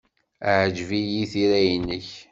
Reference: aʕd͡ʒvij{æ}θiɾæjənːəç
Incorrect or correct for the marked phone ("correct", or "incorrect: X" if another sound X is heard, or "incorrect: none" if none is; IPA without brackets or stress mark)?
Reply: incorrect: i